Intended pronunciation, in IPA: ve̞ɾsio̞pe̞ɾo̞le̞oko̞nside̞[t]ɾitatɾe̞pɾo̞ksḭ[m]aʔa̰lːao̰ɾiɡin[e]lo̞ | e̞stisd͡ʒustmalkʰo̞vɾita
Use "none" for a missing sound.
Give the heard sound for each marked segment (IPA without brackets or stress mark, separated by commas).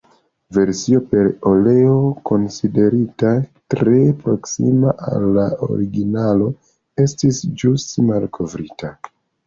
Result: none, m, a